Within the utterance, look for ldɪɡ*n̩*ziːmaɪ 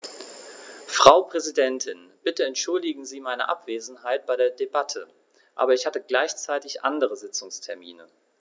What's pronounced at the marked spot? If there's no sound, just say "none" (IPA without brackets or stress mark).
ŋ̩